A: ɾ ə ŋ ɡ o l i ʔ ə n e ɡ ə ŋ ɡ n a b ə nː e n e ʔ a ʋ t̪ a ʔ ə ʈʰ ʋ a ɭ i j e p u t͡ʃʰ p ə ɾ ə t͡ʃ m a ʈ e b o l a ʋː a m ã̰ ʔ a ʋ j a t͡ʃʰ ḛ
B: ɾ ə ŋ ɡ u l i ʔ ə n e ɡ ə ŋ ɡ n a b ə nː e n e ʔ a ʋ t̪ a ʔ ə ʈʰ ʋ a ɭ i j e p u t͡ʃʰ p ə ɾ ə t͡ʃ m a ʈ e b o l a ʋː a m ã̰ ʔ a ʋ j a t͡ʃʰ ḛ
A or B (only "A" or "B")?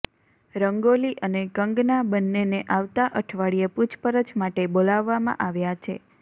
A